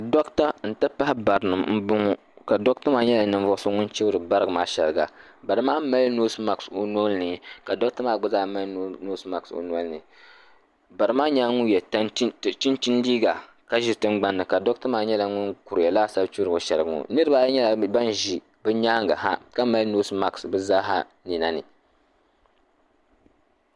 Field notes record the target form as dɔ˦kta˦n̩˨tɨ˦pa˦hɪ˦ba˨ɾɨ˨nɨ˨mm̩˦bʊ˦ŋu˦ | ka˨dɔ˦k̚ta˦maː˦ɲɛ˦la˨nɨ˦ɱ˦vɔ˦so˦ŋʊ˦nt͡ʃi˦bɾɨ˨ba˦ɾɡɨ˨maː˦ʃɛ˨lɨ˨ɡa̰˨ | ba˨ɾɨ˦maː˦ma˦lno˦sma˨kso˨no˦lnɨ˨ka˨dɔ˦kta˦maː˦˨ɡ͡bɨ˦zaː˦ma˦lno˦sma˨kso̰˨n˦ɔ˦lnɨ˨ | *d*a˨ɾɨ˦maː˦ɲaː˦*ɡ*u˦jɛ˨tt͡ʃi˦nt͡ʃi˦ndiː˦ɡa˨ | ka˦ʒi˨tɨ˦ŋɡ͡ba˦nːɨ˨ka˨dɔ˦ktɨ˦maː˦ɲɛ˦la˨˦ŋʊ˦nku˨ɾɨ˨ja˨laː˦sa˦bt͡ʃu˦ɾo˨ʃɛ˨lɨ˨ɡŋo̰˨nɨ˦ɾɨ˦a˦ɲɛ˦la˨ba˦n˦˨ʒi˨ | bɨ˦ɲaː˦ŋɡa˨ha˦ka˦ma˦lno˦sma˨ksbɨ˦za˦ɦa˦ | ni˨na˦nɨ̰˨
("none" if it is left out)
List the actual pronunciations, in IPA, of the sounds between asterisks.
b, ŋ

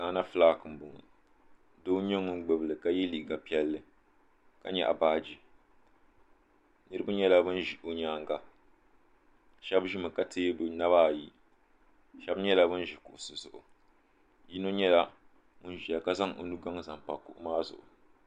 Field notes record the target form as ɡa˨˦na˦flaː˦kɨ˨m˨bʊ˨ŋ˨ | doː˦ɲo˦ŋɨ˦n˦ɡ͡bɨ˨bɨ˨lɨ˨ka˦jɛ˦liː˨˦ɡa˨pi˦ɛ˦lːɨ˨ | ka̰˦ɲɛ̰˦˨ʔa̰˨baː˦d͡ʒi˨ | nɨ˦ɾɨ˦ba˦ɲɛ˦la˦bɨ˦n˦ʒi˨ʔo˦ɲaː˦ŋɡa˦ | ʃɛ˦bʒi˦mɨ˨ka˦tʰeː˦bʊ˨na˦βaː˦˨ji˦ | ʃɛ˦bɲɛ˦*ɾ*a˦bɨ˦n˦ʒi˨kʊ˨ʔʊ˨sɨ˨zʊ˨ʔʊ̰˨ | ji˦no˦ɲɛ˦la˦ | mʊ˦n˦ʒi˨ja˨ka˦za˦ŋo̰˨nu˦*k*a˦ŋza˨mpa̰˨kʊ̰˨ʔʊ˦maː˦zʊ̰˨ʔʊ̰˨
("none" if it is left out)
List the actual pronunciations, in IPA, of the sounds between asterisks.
l, ɡ

